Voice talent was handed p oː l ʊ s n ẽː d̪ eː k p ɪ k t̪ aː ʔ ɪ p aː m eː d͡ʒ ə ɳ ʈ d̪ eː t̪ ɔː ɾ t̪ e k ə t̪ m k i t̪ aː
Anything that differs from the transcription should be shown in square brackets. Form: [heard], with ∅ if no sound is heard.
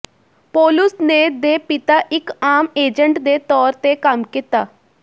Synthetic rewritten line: p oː l ʊ s n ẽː d̪ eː [∅] p ɪ [∅] t̪ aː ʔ ɪ [k] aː m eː d͡ʒ ə ɳ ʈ d̪ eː t̪ ɔː ɾ t̪ e k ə [∅] m k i t̪ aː